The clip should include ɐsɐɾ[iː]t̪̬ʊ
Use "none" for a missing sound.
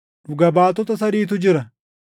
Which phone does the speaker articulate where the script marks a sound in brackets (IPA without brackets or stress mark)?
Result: iː